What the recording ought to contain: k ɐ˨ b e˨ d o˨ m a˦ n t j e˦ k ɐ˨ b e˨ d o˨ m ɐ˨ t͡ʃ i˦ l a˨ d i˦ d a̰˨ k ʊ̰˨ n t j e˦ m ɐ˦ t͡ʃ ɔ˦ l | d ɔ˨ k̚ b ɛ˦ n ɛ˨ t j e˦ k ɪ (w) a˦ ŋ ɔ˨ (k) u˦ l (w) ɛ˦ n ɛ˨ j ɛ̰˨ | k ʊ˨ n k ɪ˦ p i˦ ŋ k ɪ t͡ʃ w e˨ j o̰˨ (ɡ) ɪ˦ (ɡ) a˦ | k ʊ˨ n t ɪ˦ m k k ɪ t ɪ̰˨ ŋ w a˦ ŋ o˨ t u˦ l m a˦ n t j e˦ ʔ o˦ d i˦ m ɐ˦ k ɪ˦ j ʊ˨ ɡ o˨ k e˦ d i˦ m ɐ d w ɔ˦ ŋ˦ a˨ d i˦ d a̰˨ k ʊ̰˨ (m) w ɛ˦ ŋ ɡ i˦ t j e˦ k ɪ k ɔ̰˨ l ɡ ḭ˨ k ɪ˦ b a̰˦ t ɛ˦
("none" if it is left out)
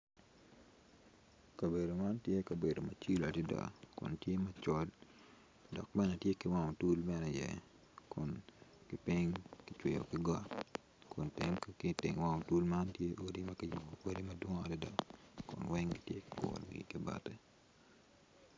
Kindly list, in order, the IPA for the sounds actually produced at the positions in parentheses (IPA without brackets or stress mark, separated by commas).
w, t, b, k, ɡ, n